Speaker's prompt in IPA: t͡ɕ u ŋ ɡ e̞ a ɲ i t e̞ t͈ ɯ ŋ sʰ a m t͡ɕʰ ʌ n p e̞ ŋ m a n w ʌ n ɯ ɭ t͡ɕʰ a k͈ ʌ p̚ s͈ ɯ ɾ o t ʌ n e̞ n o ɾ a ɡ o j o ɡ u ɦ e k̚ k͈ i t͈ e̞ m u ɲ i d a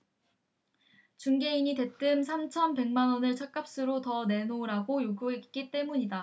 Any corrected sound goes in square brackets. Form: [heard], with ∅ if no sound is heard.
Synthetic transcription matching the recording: t͡ɕ u ŋ ɡ e̞ [i] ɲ i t e̞ t͈ ɯ [m] sʰ a m t͡ɕʰ ʌ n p e̞ ŋ m a n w ʌ n ɯ ɭ t͡ɕʰ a k͈ [a] p̚ s͈ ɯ ɾ o t ʌ n e̞ n o ɾ a ɡ o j o ɡ u ɦ e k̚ k͈ i t͈ e̞ m u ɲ i d a